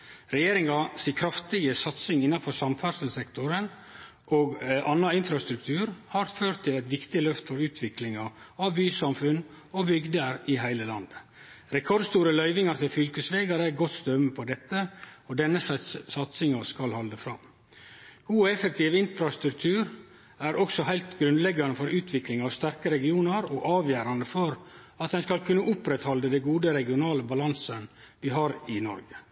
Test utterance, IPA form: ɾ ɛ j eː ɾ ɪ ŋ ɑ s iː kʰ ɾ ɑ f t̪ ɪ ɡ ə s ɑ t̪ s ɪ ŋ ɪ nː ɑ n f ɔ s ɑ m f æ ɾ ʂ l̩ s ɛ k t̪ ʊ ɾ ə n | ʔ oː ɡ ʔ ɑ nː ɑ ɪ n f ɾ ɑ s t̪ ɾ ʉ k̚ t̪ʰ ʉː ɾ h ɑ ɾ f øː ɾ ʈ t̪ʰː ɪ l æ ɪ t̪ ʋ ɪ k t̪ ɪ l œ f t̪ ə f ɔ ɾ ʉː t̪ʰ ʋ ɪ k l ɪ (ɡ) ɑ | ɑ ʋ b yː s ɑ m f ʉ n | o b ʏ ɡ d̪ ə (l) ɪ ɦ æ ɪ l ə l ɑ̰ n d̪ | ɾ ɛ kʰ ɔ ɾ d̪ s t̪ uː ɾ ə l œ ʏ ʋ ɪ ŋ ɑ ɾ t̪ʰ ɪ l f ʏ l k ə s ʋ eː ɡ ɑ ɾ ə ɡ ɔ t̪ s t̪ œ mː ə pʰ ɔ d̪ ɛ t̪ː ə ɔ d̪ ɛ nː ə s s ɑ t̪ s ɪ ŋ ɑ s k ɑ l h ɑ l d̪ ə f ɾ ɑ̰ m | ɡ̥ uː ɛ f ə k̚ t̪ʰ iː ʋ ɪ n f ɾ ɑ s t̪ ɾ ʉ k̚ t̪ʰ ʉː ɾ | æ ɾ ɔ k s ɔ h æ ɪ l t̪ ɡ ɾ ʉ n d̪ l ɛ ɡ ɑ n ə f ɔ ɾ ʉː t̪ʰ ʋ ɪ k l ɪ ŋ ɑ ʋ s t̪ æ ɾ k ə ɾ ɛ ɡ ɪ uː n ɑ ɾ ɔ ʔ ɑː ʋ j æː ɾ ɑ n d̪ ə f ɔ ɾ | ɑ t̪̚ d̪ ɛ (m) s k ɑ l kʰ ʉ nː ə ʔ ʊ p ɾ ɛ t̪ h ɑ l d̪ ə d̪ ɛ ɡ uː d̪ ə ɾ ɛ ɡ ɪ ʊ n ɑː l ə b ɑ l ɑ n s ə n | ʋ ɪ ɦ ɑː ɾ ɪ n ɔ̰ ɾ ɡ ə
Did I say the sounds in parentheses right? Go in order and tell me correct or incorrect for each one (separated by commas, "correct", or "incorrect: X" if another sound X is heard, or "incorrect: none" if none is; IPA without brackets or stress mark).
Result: incorrect: ŋ, incorrect: ɾ, incorrect: n